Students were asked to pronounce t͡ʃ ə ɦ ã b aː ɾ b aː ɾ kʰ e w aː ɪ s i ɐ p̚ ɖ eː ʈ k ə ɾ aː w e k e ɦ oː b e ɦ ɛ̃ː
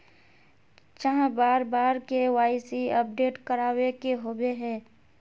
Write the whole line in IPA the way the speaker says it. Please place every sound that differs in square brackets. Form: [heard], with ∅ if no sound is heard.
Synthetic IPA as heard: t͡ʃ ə ɦ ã b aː ɾ b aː ɾ [k] e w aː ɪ s i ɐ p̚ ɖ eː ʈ k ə ɾ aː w e k e ɦ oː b e ɦ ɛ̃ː